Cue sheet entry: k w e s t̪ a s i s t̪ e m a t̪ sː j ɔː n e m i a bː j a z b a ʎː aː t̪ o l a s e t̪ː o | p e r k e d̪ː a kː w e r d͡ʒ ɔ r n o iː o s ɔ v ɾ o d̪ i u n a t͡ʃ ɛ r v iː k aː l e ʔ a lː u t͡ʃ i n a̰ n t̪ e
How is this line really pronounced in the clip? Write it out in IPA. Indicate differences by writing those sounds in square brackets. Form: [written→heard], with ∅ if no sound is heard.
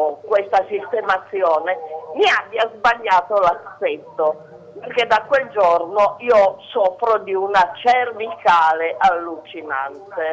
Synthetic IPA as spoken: k w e s t̪ a s i s t̪ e m a t̪ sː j ɔː n e m i a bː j a z b a ʎː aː t̪ o l a s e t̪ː o | p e r k e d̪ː a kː w e [r→l] d͡ʒ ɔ r n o iː o s ɔ [v→f] ɾ o d̪ i u n a t͡ʃ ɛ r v [iː→i] k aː l e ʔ a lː u t͡ʃ i n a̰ n t̪ e

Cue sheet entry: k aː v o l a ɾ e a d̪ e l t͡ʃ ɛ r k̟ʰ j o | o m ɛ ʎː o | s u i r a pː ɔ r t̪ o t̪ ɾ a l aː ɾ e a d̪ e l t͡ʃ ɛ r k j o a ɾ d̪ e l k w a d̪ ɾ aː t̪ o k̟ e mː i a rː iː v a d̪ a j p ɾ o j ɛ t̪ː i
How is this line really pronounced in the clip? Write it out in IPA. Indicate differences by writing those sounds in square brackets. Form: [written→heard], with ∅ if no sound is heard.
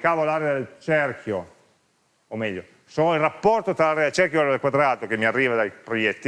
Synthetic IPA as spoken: k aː v o l a ɾ e a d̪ e l t͡ʃ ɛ r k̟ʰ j o | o m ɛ ʎː o | s [u→o] i r a pː ɔ r t̪ o t̪ ɾ a l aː ɾ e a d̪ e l t͡ʃ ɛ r k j o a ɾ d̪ e l k w a d̪ ɾ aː t̪ o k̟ e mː i a rː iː v a d̪ a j p ɾ o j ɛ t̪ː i

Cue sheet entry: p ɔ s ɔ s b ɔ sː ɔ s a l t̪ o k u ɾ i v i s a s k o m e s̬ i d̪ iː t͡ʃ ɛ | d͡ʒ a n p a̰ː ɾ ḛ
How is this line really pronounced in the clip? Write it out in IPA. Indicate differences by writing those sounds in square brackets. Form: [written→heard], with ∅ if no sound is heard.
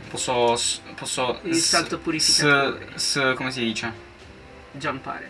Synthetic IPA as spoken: p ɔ s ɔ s [b→p] ɔ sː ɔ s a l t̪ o [k→p] u ɾ i [v→f] i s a s k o m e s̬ i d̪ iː t͡ʃ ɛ | d͡ʒ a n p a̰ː ɾ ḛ

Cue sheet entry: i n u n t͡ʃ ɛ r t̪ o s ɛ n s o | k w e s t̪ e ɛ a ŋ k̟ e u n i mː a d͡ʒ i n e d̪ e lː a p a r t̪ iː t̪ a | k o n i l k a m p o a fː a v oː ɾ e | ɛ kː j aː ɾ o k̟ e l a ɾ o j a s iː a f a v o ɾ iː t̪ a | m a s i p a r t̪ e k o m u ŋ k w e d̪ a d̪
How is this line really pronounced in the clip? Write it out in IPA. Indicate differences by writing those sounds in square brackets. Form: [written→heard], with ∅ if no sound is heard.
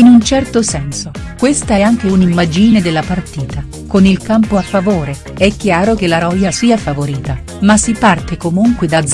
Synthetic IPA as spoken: i n u n t͡ʃ ɛ r t̪ o s ɛ n s o | k w e s t̪ [e→a] ɛ a ŋ k̟ e u n i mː a d͡ʒ i n e d̪ e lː a p a r t̪ iː t̪ a | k o n i l k a m p o a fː a v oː ɾ e | ɛ kː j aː ɾ o k̟ e l a ɾ [o→ɔ] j a s iː a f a v o ɾ iː t̪ a | m a s i p a r t̪ e k o m u ŋ k w e d̪ a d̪

